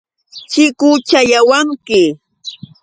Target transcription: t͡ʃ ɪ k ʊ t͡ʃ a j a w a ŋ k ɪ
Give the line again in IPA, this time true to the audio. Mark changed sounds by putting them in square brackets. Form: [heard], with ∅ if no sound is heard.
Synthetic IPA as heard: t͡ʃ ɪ k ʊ t͡ʃ a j a w a ŋ k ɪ